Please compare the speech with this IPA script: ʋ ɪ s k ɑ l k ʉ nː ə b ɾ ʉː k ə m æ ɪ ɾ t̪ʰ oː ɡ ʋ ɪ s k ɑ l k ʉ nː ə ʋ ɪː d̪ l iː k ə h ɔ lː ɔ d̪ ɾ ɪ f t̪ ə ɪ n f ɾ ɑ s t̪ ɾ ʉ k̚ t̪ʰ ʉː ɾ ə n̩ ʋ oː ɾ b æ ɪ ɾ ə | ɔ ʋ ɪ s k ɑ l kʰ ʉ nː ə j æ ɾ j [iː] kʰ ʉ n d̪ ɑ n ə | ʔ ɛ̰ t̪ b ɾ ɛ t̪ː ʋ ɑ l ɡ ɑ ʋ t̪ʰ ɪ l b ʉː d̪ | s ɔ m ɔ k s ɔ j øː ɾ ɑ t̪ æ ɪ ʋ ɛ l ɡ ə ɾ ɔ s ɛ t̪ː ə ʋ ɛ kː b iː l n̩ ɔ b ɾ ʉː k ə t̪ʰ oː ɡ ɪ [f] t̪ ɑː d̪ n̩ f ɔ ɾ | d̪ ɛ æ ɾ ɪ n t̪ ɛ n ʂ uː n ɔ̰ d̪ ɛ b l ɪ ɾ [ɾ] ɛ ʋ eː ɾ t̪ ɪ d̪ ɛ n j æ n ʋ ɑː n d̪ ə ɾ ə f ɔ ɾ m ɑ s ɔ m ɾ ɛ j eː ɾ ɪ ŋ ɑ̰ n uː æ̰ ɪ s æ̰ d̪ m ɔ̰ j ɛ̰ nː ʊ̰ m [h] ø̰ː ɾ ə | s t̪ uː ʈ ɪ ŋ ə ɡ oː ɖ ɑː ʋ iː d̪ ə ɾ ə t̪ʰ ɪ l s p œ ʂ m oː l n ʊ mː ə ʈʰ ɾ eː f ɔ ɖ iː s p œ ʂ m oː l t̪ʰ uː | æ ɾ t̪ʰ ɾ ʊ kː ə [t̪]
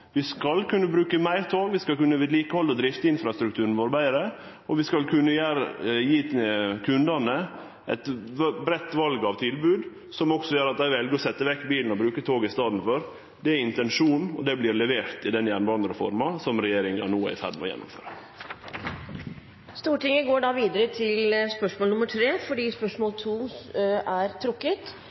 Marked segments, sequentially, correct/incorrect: correct, incorrect: s, incorrect: l, incorrect: f, correct

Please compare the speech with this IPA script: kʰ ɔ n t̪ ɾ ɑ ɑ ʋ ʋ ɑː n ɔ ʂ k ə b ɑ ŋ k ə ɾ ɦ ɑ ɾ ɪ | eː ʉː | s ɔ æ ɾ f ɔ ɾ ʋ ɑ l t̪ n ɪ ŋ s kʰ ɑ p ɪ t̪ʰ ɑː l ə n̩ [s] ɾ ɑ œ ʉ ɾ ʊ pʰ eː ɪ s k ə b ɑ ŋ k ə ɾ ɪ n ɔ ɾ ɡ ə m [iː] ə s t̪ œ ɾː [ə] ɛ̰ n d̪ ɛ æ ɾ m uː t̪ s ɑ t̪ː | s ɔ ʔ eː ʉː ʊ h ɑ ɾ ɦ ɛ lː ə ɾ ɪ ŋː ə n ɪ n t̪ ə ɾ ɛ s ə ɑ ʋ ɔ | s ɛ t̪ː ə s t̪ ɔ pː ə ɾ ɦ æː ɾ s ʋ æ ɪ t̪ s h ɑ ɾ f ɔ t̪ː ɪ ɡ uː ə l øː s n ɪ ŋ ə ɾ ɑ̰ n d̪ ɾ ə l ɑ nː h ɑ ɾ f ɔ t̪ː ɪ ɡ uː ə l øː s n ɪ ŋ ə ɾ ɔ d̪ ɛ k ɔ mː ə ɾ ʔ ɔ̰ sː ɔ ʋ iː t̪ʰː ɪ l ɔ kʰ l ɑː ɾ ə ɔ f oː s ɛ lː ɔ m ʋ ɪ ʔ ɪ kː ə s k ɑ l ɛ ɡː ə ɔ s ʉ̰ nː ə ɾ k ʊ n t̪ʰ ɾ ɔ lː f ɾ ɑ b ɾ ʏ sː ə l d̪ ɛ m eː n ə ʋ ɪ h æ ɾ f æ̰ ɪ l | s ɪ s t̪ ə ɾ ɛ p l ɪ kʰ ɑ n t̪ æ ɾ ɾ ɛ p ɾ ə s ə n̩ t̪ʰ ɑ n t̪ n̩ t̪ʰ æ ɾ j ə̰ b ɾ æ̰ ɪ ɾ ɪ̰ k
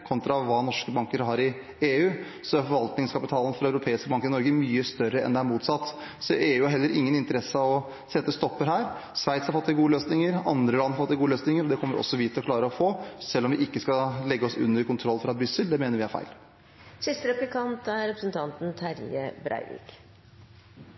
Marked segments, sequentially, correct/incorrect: incorrect: f, incorrect: yː, correct

